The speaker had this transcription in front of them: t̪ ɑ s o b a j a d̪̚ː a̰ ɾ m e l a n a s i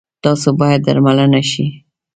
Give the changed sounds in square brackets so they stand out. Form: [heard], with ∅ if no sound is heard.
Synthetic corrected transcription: t̪ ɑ s o b [ɑ] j a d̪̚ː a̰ ɾ m [a] l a n a [ʃ] i